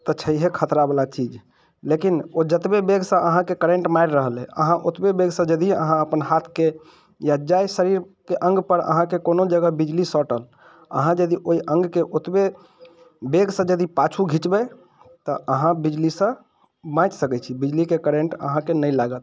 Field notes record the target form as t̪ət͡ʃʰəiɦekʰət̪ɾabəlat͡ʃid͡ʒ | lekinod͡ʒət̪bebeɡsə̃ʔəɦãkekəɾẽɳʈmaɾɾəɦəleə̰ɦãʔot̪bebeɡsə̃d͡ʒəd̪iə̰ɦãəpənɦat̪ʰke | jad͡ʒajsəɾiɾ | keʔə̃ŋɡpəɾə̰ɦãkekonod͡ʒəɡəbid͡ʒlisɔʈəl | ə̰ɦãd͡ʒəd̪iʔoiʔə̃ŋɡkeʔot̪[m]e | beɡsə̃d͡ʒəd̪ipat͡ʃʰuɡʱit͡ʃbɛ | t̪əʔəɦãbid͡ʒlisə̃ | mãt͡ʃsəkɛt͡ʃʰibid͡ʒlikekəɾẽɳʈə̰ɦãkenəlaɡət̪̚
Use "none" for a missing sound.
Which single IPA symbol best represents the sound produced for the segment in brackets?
b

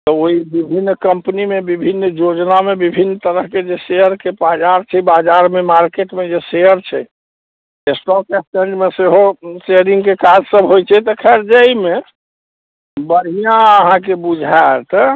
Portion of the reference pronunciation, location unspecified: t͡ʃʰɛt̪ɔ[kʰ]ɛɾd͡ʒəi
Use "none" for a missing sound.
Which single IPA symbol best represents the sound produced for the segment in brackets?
kʰ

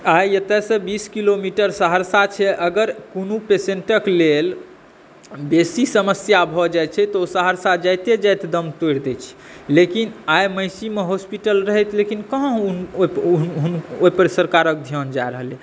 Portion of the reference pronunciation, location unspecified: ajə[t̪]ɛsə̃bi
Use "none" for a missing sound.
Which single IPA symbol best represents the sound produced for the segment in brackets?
t̪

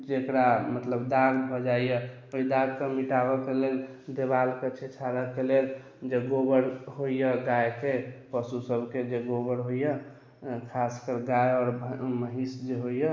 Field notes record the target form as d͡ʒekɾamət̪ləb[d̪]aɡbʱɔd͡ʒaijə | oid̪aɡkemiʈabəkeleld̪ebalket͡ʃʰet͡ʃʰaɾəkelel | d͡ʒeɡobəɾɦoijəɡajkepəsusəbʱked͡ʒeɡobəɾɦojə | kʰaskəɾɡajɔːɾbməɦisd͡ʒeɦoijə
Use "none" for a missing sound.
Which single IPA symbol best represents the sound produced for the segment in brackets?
d̪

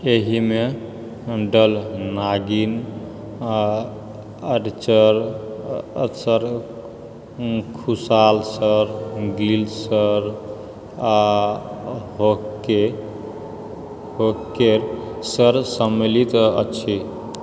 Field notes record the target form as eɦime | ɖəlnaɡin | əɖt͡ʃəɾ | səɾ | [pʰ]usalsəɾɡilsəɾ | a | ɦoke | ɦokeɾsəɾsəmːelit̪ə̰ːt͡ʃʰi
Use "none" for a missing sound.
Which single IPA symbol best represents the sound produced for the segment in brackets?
kʰ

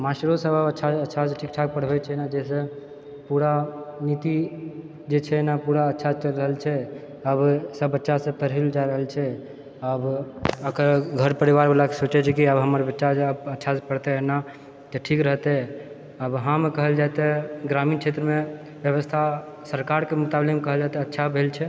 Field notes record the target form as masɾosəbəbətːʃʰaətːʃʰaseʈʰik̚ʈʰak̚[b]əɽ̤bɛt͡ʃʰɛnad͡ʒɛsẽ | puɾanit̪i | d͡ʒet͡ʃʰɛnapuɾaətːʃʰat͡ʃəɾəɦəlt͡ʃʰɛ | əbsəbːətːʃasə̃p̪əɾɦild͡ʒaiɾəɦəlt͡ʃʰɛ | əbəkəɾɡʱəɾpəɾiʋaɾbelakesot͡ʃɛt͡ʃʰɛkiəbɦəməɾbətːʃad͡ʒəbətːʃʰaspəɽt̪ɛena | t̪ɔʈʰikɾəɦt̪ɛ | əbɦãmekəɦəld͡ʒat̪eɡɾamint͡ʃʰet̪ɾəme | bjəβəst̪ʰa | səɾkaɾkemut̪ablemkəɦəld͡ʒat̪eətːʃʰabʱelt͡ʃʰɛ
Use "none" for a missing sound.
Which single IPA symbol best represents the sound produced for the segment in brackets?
p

